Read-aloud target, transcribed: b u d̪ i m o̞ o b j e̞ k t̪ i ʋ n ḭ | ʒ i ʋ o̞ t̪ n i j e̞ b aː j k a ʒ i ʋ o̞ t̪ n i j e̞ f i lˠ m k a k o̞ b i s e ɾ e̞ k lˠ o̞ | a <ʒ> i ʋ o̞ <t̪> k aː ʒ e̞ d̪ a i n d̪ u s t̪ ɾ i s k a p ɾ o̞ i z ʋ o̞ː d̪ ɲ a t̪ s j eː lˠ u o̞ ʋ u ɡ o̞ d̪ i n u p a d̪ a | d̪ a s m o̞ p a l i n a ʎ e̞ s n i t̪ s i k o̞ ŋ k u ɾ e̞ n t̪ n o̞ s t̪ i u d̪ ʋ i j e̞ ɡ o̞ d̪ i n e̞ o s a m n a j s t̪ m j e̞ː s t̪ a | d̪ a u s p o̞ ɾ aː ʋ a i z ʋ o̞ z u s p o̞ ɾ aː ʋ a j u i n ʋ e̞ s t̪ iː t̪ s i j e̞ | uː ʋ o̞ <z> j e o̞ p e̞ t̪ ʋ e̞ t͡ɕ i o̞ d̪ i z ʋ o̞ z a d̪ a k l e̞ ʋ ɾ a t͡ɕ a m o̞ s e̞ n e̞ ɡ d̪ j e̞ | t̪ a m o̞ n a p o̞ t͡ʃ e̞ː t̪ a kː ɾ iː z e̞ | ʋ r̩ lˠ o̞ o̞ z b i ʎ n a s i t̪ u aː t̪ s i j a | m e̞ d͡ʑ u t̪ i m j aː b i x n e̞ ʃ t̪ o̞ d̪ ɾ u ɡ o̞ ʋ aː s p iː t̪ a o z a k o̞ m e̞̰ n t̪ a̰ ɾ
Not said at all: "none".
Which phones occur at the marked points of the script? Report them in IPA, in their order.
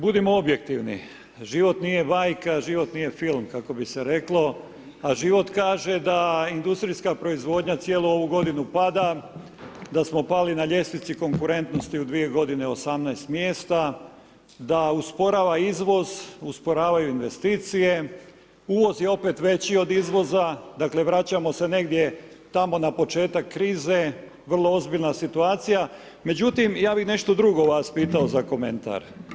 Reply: ʒ, t̪, z

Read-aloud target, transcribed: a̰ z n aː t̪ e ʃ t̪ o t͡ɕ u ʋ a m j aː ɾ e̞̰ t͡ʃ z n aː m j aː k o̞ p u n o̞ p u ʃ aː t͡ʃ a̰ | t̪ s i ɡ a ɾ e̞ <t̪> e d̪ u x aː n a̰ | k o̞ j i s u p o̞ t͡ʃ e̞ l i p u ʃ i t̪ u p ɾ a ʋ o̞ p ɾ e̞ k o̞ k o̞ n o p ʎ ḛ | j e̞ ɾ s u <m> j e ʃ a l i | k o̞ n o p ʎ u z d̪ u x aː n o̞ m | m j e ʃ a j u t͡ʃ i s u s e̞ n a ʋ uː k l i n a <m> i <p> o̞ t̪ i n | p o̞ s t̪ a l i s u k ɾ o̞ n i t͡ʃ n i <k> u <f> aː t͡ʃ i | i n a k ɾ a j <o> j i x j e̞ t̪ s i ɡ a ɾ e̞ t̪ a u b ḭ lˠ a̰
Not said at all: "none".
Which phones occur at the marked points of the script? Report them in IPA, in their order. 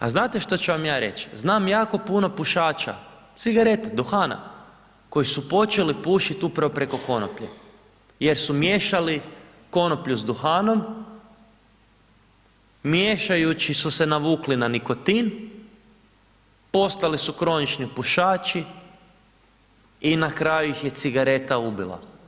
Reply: t̪, m, n, k, p, ʃ, u

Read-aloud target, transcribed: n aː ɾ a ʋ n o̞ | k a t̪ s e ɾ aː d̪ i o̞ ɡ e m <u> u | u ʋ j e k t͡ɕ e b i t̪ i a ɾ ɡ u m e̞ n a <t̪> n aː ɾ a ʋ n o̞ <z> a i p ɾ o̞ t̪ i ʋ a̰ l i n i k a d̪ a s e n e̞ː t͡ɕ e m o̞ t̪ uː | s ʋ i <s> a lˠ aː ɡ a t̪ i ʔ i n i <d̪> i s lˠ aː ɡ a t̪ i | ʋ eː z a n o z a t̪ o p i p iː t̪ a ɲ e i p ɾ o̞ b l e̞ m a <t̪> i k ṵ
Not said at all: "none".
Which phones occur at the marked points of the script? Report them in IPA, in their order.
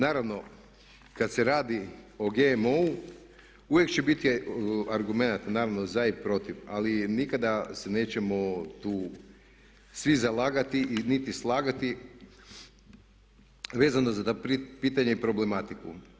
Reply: o, t̪, z, z, t̪, t̪

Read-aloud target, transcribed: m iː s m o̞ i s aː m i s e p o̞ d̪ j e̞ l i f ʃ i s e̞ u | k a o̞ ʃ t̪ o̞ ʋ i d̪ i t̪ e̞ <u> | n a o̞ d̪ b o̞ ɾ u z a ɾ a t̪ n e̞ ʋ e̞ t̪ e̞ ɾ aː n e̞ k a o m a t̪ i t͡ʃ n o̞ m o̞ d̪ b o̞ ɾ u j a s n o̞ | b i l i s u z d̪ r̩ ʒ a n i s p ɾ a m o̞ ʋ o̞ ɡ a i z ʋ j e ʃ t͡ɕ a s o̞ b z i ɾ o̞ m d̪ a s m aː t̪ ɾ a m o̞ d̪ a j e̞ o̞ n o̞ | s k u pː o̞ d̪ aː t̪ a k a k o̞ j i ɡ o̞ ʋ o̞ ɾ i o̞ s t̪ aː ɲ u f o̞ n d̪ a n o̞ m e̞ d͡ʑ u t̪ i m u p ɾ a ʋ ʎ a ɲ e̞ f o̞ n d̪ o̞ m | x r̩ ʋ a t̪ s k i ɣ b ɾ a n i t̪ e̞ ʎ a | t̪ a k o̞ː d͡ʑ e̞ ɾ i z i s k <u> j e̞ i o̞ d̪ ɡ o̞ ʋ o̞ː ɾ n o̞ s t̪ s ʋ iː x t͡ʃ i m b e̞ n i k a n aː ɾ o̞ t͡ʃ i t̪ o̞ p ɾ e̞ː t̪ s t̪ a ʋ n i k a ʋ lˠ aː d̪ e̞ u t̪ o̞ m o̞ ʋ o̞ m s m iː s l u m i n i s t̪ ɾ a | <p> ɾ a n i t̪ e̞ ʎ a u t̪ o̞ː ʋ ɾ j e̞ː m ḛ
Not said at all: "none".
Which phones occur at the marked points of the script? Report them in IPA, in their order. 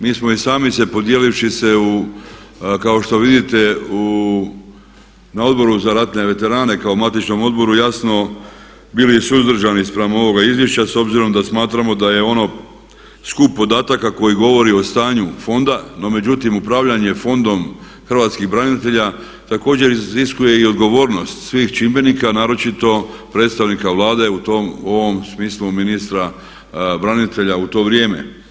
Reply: u, u, b

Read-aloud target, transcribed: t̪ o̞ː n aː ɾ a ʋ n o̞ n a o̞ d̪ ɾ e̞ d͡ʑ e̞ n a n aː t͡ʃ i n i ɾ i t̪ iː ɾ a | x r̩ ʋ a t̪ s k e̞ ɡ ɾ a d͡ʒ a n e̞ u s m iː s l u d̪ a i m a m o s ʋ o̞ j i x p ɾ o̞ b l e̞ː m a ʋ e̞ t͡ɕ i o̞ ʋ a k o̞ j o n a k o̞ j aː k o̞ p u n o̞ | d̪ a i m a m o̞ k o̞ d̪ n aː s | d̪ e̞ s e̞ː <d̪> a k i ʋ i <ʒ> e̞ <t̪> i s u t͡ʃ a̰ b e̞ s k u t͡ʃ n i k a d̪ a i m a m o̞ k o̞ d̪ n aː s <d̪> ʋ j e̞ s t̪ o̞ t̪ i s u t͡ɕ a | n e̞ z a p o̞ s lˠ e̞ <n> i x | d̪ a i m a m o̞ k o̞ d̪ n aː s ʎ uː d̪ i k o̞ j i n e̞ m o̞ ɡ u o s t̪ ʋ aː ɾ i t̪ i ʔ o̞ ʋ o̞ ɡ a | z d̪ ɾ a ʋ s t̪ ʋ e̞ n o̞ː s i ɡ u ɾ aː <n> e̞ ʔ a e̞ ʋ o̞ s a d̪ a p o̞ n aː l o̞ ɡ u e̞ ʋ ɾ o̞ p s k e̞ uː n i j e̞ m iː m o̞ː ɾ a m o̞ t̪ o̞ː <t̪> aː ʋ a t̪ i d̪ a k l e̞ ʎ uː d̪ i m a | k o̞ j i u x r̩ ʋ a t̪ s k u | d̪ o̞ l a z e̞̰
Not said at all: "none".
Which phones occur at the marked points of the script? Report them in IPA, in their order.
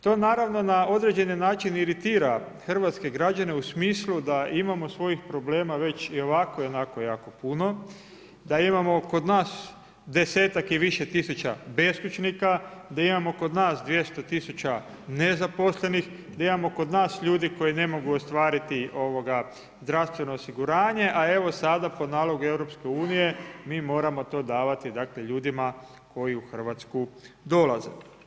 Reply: t̪, ʃ, t̪, d̪, n, ɲ, d̪

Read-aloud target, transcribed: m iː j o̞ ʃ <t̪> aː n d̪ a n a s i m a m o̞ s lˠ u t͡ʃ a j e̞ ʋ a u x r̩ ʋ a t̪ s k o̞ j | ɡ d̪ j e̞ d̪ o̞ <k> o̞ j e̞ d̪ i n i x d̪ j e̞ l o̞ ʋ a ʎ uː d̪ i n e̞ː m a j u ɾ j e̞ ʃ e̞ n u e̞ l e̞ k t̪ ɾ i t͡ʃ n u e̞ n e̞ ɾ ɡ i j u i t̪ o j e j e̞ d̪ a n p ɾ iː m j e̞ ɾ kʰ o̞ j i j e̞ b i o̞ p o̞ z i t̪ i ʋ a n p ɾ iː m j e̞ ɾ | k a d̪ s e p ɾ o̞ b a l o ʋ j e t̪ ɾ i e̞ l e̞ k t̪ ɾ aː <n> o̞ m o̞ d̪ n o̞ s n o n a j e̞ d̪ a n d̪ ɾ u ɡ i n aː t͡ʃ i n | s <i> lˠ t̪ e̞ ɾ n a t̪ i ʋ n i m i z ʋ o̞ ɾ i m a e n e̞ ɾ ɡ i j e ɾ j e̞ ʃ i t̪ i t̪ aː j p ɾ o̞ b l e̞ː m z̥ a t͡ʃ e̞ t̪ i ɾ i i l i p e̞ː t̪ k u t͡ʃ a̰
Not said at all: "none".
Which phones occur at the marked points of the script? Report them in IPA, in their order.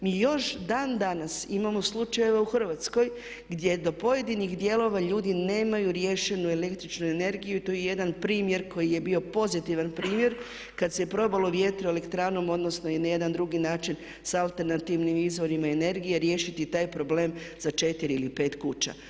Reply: d̪, p, n, a

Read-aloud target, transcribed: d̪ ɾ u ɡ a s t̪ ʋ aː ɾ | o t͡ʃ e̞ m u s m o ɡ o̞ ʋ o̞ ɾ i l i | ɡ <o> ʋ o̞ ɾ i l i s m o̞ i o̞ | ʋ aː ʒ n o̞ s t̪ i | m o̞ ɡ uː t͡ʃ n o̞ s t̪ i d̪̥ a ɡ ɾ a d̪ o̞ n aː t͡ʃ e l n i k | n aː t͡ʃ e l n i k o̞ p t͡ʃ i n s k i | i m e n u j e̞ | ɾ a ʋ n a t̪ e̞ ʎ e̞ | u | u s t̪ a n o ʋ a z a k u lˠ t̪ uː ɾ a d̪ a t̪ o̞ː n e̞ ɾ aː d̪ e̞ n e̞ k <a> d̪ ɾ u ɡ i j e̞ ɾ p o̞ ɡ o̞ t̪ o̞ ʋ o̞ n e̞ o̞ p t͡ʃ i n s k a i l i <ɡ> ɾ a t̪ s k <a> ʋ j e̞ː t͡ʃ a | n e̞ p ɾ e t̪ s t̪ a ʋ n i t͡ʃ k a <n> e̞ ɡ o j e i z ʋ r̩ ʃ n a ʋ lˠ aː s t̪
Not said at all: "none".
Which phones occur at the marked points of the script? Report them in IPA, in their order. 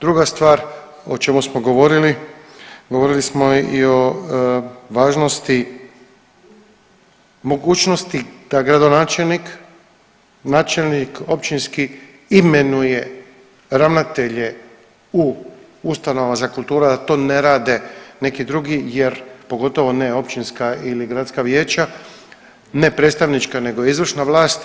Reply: o, i, ɡ, a, n

